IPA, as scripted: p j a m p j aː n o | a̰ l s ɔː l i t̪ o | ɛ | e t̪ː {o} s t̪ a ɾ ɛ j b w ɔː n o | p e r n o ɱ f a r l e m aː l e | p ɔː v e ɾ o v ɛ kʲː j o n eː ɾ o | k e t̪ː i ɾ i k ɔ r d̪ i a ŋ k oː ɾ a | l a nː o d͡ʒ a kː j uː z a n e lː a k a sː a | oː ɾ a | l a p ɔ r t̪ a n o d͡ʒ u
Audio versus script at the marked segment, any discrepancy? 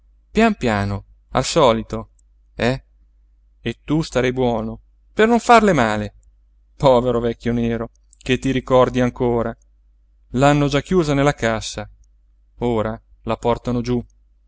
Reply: yes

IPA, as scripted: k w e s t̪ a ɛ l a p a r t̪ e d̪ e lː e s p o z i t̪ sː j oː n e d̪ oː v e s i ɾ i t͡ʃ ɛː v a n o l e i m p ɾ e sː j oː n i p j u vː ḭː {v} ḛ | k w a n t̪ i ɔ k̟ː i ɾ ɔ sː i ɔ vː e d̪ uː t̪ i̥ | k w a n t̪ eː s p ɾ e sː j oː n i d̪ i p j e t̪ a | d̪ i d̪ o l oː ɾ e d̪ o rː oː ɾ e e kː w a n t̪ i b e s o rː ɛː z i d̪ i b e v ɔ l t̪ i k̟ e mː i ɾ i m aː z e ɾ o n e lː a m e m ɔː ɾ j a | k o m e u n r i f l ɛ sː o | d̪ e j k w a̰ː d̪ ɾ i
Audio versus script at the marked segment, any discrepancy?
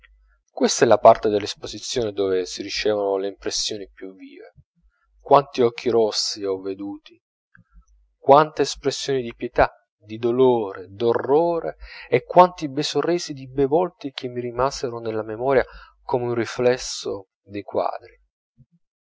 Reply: no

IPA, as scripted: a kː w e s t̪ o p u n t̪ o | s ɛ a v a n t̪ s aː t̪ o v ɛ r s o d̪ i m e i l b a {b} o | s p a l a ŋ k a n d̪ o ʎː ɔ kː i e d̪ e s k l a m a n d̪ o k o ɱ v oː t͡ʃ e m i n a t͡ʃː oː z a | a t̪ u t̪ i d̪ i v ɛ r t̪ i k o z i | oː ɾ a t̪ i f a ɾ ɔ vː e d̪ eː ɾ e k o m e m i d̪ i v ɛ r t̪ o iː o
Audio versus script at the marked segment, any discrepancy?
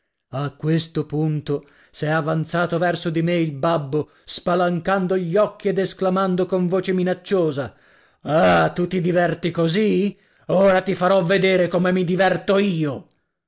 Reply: yes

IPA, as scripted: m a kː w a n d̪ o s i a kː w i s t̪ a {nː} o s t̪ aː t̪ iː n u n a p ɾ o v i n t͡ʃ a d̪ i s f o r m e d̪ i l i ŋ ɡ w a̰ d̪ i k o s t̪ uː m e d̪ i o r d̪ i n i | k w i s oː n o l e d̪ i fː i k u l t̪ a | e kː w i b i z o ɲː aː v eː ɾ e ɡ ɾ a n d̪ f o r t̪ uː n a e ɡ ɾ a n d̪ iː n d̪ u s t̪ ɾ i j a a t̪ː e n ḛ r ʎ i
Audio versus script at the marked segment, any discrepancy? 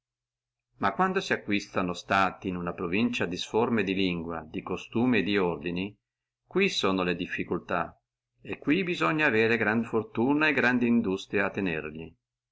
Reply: yes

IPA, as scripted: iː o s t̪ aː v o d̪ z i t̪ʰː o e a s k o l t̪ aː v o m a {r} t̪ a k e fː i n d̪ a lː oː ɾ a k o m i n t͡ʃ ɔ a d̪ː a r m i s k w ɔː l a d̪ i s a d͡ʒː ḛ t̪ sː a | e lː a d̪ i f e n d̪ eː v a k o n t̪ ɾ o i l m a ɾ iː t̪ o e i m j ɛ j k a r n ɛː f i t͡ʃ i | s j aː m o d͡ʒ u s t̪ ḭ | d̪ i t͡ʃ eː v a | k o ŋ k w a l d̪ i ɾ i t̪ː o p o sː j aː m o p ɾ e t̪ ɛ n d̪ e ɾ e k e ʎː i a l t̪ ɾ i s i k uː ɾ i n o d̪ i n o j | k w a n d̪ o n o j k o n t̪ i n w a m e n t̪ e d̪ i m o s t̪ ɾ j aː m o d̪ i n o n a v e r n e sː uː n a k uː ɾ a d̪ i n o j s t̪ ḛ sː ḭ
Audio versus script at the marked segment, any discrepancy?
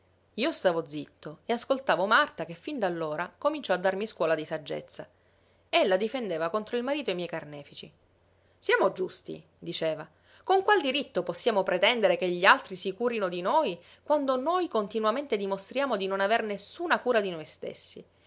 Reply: no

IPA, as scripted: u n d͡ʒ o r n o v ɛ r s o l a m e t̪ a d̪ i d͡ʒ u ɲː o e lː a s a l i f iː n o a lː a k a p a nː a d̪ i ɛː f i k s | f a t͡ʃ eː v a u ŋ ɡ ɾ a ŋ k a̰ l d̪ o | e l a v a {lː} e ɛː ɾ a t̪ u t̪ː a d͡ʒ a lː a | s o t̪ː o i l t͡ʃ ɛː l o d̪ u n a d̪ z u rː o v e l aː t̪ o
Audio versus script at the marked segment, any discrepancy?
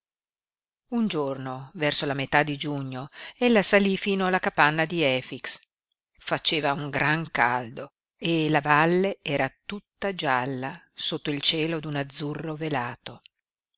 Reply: no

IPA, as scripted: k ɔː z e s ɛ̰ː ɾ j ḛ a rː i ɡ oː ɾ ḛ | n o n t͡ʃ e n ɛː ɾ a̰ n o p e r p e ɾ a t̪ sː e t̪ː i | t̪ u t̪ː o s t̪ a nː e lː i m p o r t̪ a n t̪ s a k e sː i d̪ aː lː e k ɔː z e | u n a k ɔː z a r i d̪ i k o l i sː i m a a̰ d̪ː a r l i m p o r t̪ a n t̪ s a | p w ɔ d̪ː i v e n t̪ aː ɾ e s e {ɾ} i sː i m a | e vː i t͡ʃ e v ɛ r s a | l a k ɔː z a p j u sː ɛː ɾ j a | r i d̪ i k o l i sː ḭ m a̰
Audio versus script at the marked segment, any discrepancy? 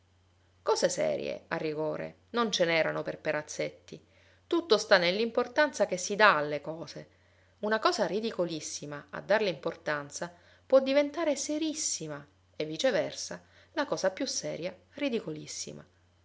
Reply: no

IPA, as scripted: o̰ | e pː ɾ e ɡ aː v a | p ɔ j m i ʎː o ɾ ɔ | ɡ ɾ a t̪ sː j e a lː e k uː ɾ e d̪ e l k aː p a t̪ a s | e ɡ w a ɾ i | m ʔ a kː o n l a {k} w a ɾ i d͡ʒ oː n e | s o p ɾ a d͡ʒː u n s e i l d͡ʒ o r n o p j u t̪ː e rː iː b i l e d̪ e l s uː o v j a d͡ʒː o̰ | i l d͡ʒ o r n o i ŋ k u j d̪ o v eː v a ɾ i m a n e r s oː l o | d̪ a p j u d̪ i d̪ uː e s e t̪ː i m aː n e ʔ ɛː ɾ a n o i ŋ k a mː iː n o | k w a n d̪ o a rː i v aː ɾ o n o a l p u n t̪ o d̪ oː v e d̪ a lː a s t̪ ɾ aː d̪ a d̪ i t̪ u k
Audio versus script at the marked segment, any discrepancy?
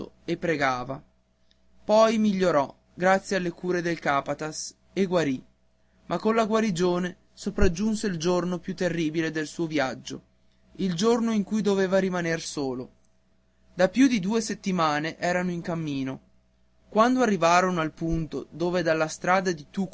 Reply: yes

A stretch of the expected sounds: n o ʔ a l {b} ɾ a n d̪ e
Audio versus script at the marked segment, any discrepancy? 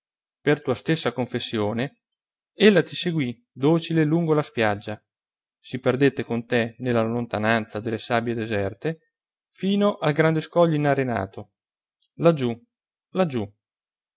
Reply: yes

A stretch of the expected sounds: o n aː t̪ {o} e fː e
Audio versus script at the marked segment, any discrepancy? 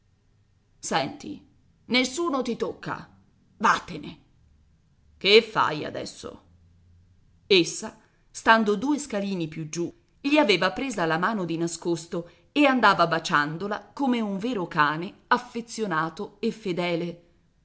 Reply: no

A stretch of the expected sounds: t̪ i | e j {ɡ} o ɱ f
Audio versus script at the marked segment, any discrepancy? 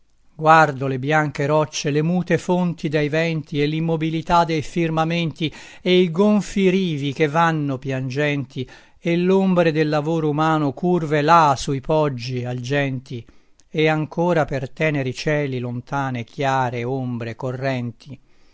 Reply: no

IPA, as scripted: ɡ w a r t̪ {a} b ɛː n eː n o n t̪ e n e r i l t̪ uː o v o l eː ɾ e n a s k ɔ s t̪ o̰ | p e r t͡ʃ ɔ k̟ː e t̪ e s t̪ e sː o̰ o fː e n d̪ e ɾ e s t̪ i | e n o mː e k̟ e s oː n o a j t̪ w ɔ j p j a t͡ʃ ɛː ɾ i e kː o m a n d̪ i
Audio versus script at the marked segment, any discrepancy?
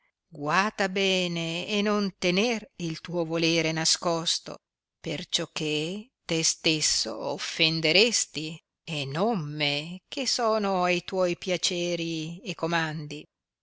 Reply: no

